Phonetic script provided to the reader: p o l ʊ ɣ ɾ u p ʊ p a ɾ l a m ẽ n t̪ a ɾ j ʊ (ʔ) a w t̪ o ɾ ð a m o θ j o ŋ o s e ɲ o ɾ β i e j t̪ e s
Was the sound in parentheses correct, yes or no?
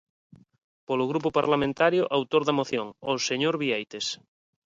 yes